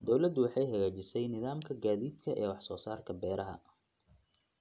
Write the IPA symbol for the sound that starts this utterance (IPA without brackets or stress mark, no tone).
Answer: d̪